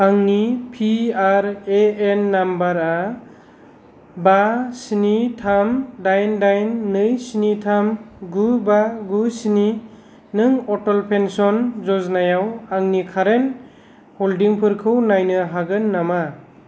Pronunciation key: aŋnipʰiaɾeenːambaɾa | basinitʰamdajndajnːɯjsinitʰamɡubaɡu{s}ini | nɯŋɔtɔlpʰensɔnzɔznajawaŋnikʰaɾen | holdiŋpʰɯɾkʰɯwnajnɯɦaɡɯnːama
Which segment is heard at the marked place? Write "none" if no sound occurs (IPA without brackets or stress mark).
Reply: s